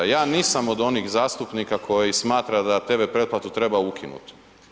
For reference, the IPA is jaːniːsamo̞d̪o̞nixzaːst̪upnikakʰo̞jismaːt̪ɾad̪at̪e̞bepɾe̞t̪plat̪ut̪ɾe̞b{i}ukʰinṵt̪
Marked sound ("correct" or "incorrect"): incorrect